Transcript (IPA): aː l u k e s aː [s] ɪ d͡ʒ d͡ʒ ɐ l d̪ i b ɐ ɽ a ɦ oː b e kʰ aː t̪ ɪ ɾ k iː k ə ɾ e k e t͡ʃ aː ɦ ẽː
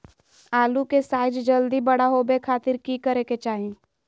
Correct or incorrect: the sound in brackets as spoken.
incorrect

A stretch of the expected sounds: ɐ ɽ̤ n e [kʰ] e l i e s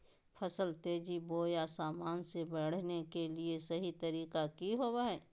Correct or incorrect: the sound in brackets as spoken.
incorrect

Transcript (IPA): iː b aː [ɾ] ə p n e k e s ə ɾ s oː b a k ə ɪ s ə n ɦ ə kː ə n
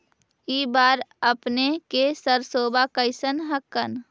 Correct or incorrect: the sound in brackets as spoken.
correct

